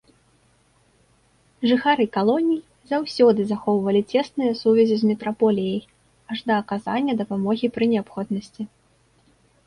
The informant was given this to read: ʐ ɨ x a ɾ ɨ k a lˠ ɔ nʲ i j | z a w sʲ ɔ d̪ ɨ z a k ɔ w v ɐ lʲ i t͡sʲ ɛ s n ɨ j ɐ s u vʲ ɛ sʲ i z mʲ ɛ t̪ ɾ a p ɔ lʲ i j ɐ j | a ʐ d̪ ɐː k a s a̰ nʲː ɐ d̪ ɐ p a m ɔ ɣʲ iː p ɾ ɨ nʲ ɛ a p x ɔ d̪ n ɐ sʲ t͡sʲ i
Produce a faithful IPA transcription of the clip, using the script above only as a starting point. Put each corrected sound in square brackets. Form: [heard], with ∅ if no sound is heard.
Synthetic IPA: ʐ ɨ x a ɾ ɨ k a lˠ ɔ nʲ i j | z a w sʲ ɔ d̪ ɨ z a [x] ɔ w v ɐ lʲ i t͡sʲ ɛ s n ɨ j ɐ s u vʲ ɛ [zʲ] i z mʲ ɛ t̪ ɾ a p ɔ lʲ i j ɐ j | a ʐ d̪ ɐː k a [z] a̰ nʲː ɐ d̪ ɐ p a m ɔ ɣʲ [i] p ɾ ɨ nʲ ɛ a p x ɔ d̪ n ɐ sʲ t͡sʲ i